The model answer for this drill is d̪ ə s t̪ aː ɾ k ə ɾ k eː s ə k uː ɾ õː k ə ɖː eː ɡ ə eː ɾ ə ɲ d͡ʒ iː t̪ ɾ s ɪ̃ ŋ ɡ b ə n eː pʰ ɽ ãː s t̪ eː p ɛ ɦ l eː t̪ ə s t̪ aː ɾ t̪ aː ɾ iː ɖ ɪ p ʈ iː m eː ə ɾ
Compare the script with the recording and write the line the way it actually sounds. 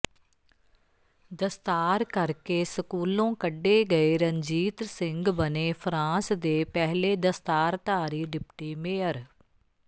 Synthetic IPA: d̪ ə s t̪ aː ɾ k ə ɾ k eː s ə k uː l õː k ə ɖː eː ɡ ə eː ɾ ə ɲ d͡ʒ iː t̪ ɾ s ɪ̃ ŋ ɡ b ə n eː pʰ ɾ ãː s d̪ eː p ɛ ɦ l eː d̪ ə s t̪ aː ɾ t̪ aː ɾ iː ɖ ɪ p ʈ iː m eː ə ɾ